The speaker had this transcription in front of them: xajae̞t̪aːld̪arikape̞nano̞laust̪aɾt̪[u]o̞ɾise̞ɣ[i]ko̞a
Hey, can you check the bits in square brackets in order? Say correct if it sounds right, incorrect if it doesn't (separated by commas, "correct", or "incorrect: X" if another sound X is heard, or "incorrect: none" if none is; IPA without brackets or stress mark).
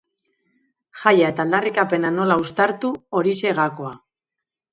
correct, incorrect: a